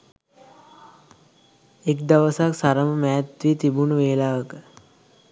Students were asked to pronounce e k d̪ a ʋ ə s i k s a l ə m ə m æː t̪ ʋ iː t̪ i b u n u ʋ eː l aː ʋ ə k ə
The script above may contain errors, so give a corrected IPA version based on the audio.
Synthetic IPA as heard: e k d̪ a ʋ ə s a k s a ɾ ə m ə m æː t̪ ʋ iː t̪ i b u n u ʋ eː l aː ʋ ə k ə